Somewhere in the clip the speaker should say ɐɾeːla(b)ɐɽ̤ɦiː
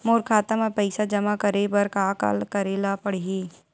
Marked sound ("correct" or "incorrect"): incorrect